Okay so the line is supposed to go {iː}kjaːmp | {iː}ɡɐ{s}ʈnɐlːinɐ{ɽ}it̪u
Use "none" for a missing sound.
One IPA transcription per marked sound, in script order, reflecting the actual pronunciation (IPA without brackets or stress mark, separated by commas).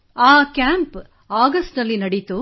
aː, aː, s, ɽ